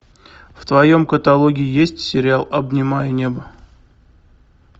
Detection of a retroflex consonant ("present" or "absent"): absent